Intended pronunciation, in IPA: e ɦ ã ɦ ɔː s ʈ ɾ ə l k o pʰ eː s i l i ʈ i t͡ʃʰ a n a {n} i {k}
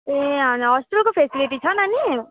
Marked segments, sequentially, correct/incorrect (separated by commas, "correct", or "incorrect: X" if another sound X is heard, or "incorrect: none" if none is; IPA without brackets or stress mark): correct, incorrect: none